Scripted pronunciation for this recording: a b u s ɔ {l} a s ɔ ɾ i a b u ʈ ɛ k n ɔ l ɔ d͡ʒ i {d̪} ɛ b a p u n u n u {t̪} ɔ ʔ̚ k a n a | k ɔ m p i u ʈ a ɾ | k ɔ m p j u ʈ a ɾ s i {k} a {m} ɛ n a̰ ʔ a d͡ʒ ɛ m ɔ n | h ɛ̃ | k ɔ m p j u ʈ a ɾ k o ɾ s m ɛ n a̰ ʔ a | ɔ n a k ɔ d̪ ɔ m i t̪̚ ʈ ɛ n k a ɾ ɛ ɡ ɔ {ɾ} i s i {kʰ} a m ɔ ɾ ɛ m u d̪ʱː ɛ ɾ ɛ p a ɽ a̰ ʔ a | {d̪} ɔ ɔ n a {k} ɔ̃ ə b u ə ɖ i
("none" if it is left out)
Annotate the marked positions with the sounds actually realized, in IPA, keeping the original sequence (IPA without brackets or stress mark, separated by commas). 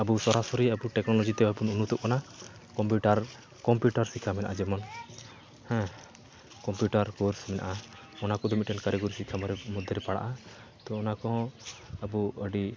ɾ, t̪, t̪, kʰ, m, ɾ, kʰ, t̪, k